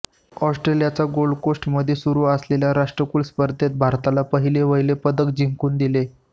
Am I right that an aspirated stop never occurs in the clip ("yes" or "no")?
yes